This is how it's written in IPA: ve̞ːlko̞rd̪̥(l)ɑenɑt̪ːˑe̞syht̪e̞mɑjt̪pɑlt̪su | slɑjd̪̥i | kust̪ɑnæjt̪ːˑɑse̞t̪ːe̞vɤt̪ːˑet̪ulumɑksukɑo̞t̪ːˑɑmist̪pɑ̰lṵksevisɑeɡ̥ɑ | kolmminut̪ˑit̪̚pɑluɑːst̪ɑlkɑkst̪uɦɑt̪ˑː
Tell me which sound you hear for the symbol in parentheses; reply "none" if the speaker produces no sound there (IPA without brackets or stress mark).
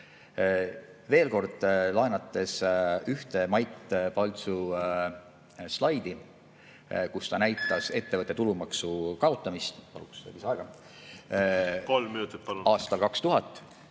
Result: l